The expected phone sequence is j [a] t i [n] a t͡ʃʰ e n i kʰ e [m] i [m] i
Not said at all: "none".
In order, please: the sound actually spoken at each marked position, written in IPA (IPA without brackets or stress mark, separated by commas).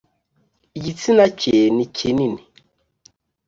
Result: i, n, n, n